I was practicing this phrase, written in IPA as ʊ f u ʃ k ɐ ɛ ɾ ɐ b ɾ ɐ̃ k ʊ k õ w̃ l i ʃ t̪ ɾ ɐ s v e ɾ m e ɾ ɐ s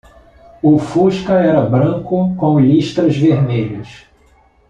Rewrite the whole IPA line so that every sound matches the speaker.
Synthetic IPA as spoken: ʊ f u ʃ k ɐ ɛ ɾ ɐ b ɾ ɐ̃ k ʊ k õ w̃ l i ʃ t̪ ɾ ɐ z v e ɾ m e ʎ ɐ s